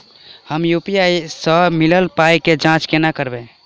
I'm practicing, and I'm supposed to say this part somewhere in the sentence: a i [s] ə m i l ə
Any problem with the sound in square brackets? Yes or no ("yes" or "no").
no